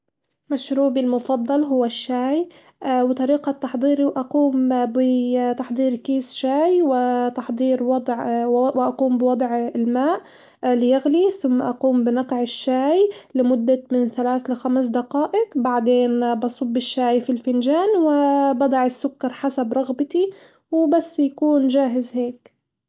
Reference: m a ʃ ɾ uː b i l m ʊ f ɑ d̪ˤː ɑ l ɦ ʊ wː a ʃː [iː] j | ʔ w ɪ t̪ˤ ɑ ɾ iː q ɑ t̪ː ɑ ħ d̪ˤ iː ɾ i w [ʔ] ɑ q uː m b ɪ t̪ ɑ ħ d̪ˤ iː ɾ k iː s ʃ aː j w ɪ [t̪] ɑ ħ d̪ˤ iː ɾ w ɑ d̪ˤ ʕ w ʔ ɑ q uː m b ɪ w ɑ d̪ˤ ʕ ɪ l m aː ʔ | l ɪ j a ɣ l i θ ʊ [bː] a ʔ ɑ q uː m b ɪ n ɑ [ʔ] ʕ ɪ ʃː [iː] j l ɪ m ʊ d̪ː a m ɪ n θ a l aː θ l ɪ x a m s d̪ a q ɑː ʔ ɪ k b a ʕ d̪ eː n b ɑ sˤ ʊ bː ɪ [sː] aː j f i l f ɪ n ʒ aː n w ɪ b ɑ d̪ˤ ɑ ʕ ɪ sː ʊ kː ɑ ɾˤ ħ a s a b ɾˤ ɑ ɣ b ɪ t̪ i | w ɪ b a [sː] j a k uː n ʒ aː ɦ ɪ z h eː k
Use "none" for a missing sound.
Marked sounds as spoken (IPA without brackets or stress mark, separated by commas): aː, ʔ, t̪, mː, q, aː, ʃː, sː